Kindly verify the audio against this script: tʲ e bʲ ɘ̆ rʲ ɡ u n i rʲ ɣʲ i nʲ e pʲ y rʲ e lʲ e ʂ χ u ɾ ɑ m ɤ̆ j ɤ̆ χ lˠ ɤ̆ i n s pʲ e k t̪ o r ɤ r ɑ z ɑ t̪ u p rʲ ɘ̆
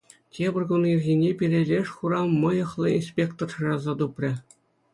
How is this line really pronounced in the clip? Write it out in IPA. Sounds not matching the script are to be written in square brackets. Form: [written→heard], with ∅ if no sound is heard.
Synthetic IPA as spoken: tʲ e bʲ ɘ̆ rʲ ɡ u n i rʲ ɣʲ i nʲ e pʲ [y→i] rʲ e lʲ e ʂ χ u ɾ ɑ m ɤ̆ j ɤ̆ χ lˠ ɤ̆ i n s pʲ e k t̪ o r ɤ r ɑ z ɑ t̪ u p rʲ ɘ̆